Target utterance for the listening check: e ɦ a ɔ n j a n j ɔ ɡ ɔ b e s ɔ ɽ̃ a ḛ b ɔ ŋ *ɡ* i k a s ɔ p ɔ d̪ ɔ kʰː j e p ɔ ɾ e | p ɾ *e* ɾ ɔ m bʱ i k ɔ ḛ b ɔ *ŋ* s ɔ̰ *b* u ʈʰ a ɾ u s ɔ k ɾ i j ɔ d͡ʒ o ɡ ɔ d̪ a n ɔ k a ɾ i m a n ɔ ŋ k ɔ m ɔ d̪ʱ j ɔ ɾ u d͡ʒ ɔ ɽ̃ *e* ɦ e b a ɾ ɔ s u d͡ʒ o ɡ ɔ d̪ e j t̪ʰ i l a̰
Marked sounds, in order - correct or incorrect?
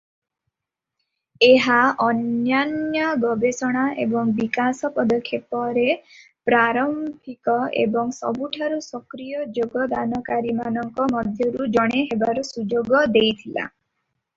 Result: incorrect: b, incorrect: a, correct, correct, correct

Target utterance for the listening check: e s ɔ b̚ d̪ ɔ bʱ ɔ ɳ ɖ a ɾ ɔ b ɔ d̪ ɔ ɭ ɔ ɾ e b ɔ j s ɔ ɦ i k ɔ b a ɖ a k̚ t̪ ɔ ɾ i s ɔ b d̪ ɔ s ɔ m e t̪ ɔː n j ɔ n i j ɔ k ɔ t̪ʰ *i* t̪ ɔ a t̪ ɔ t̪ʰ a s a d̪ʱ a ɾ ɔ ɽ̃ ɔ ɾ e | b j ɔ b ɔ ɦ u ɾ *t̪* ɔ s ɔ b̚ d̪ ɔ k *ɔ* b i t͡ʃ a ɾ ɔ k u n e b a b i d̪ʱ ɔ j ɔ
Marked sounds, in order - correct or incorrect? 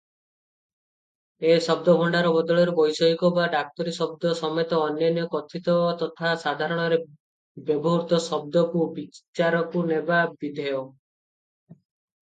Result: correct, correct, incorrect: u

